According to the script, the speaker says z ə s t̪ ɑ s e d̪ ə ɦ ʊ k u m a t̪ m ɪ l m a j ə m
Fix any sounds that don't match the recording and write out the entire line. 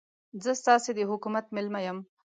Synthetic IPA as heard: z ə s t̪ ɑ s e d̪ ə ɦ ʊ k u m a t̪ m ɪ l m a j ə m